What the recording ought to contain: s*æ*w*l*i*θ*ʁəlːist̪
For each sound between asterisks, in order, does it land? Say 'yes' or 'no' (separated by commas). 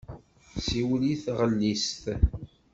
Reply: no, yes, yes